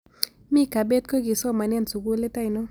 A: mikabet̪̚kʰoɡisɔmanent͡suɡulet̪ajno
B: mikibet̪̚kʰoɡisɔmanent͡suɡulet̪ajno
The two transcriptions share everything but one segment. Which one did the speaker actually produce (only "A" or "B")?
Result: A